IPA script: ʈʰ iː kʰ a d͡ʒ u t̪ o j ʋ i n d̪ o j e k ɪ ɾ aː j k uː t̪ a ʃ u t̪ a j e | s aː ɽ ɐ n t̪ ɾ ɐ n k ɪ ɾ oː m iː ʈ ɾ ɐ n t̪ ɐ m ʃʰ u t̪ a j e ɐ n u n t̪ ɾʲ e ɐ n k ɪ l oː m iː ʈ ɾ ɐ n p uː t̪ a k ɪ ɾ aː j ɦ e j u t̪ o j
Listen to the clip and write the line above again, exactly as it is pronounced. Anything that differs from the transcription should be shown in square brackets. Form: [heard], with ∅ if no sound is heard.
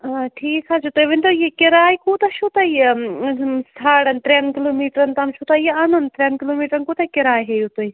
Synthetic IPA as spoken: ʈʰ iː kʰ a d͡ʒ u t̪ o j ʋ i n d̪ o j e k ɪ ɾ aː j k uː t̪ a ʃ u t̪ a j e | s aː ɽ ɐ n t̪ ɾ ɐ n k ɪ [l] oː m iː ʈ ɾ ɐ n t̪ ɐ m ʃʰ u t̪ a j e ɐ n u n t̪ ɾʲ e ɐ n k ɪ l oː m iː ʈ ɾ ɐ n [k] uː t̪ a k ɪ ɾ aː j ɦ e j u t̪ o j

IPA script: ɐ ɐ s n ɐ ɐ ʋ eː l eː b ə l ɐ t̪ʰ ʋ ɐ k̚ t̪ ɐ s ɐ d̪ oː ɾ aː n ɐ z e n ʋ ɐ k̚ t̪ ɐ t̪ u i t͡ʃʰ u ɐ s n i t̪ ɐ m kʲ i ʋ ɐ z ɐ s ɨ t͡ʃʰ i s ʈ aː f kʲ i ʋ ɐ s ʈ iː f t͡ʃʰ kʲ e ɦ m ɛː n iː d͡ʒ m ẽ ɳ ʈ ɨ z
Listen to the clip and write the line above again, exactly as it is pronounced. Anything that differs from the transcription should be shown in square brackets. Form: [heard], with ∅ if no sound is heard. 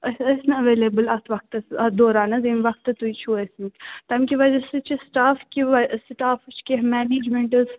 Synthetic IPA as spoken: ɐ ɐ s n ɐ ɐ ʋ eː l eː b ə l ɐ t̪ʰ ʋ ɐ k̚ t̪ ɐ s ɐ d̪ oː ɾ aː n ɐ z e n ʋ ɐ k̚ t̪ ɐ t̪ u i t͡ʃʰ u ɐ s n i t̪ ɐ m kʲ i ʋ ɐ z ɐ s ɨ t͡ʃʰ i s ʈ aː f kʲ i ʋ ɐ s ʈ [aː] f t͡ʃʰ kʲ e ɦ m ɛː n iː d͡ʒ m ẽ ɳ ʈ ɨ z

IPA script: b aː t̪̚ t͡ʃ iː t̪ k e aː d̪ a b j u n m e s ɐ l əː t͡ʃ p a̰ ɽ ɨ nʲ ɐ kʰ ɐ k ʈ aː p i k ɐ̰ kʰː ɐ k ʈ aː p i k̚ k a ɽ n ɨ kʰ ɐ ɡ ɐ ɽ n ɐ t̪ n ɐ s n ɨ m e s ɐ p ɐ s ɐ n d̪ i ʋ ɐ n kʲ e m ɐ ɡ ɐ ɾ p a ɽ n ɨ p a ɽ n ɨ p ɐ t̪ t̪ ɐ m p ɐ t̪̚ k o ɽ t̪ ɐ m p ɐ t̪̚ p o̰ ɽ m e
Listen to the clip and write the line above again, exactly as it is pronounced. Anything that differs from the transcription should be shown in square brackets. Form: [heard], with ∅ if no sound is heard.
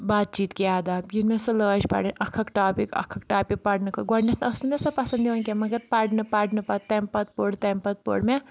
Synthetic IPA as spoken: b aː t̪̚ t͡ʃ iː t̪ k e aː d̪ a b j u n m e s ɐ l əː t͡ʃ p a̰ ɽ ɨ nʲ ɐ kʰ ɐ k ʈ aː p i k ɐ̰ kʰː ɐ k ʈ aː p i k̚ [p] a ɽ n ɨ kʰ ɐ ɡ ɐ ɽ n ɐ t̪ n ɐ s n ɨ m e s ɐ p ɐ s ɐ n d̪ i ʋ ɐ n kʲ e m ɐ ɡ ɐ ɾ p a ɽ n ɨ p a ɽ n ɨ p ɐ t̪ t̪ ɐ m p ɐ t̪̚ [p] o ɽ t̪ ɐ m p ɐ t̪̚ p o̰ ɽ m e

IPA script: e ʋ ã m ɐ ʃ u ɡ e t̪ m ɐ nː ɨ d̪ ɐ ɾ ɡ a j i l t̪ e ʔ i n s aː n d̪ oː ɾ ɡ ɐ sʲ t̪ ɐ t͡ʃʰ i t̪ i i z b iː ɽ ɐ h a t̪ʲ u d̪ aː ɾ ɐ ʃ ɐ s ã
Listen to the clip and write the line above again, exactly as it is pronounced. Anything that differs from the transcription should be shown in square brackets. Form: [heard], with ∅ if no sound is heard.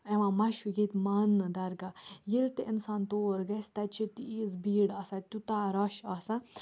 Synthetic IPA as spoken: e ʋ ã m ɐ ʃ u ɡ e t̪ m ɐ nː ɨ d̪ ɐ ɾ ɡ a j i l t̪ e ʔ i n s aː n [t̪] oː ɾ ɡ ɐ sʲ t̪ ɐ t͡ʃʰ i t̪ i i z b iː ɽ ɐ [s] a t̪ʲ u [t̪] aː ɾ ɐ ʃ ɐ s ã

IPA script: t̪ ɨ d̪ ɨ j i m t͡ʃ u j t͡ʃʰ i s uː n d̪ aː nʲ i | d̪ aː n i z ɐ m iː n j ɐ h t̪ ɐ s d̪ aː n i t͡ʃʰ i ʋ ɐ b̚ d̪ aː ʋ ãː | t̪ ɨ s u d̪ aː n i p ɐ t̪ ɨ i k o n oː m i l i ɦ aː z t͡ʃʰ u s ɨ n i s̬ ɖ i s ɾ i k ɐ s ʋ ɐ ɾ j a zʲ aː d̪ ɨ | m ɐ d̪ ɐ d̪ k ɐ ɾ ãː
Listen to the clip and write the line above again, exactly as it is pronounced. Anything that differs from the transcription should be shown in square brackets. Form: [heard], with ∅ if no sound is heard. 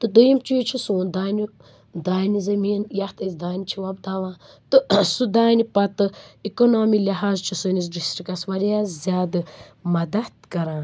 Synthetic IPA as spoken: t̪ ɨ d̪ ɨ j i m t͡ʃ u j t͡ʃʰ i s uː n d̪ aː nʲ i | d̪ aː n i z ɐ m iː n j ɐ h t̪ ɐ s d̪ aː n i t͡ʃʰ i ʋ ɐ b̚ d̪ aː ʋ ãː | t̪ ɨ s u d̪ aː n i p ɐ t̪ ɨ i k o n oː m i l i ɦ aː z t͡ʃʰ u s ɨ n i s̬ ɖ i s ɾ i k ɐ s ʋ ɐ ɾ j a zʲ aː d̪ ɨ | m ɐ d̪ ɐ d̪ k ɐ ɾ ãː

